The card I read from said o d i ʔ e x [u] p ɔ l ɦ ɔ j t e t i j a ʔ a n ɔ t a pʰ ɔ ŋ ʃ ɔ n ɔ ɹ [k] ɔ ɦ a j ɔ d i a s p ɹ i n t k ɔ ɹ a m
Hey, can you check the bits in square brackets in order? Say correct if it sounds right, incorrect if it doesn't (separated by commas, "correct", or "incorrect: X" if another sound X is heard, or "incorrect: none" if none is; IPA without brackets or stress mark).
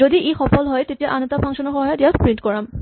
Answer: incorrect: ɔ, incorrect: x